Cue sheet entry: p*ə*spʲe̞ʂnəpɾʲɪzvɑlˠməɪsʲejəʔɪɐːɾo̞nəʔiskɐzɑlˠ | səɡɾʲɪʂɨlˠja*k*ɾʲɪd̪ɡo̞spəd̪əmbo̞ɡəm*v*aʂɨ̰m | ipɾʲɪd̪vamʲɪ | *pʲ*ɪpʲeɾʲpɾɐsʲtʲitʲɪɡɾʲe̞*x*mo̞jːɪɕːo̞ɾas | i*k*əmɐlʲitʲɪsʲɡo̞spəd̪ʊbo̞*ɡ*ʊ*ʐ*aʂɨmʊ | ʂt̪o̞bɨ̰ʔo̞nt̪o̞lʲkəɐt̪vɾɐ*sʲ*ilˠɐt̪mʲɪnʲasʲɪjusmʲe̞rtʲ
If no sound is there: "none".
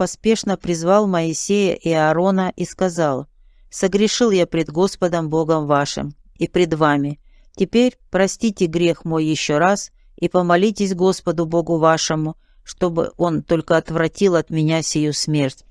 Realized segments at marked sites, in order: ɐ, p, v, tʲ, x, p, ɡ, v, tʲ

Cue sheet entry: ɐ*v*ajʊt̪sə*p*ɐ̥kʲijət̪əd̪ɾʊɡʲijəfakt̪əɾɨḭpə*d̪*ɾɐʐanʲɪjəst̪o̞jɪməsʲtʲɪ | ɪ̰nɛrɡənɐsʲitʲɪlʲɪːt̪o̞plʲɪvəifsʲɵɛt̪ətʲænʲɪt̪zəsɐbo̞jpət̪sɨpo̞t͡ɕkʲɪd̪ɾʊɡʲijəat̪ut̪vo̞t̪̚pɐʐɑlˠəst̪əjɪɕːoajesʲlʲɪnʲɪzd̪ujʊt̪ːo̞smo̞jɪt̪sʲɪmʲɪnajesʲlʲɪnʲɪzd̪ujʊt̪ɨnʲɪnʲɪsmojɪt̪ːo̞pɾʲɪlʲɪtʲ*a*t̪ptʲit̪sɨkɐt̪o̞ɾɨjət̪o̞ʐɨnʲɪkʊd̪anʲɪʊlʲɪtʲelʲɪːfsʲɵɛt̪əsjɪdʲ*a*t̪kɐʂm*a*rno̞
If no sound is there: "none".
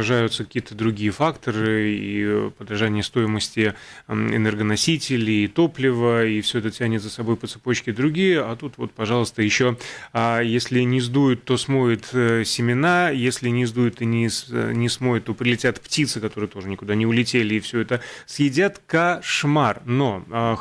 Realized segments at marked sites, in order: ʐ, k, d̪, a, a, a

